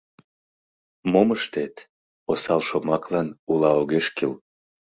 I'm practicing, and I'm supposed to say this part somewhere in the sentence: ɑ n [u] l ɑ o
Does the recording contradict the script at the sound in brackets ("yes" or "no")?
no